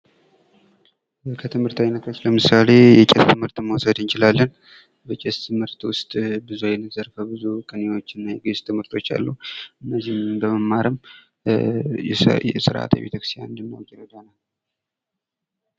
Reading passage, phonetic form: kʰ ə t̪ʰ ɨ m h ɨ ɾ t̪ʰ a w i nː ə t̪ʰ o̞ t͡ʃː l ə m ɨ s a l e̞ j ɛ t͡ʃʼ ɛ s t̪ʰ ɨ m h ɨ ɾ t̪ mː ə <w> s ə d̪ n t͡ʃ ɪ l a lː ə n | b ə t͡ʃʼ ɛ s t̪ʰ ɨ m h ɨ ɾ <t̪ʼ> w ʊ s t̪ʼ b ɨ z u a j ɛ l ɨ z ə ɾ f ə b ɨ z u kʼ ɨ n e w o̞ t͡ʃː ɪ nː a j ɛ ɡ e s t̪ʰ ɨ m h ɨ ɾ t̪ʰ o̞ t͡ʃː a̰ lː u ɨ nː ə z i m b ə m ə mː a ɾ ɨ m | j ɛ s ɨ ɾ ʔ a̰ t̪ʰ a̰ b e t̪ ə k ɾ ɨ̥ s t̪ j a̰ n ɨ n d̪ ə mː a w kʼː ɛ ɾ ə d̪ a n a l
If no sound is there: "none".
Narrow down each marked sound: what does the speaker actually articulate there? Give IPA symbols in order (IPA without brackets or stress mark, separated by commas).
w, t̪